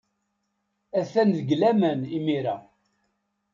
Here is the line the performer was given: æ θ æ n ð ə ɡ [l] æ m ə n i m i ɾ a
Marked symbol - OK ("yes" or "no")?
yes